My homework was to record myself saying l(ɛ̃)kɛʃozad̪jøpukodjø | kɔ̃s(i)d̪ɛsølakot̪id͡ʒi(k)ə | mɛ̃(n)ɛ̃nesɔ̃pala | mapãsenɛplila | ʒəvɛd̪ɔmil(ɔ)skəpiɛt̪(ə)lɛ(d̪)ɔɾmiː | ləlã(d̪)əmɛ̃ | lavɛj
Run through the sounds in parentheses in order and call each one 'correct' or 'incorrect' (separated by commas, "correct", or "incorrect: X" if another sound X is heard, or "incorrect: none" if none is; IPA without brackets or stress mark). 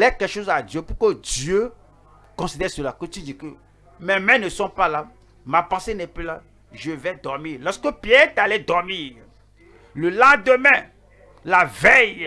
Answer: incorrect: ɛ, correct, correct, incorrect: m, correct, incorrect: a, correct, correct